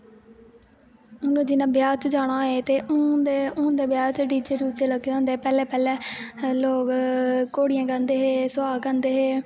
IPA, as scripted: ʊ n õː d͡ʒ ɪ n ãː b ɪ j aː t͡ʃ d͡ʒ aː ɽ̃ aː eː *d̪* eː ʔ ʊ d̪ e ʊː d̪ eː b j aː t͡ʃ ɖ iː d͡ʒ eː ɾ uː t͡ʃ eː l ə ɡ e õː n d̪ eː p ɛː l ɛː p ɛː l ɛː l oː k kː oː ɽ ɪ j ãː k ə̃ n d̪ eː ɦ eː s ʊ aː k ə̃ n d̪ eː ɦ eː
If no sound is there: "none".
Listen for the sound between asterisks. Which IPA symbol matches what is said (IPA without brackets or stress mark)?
t̪